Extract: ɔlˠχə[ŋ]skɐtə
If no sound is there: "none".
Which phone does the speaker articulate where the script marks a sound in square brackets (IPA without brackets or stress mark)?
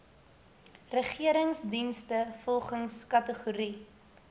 ŋ